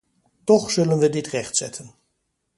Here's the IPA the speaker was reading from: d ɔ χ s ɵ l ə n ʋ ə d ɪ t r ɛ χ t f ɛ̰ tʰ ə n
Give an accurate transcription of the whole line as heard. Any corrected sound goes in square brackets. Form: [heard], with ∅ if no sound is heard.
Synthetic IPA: [t] ɔ χ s ɵ l ə n ʋ ə d ɪ t r ɛ χ t [s] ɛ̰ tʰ ə n